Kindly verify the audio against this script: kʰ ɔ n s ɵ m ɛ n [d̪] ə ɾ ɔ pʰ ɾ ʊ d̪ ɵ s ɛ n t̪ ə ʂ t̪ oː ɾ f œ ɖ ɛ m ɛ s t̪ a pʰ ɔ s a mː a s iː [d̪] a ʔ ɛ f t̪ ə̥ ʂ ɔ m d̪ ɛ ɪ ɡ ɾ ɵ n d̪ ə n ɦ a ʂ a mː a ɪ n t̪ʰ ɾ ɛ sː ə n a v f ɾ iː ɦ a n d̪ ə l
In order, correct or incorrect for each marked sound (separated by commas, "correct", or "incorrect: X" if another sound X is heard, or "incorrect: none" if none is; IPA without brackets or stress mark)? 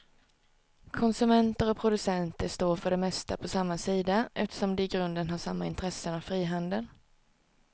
incorrect: t̪, correct